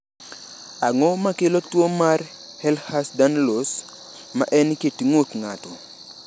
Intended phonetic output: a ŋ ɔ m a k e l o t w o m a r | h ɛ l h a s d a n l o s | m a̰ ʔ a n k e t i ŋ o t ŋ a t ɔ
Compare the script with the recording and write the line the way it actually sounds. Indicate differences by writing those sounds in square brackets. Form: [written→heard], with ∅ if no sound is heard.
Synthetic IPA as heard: a ŋ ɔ m a k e l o t w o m a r | h ɛ l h a s d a n l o s | m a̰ ʔ [a→ɛ] n k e t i ŋ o t ŋ a t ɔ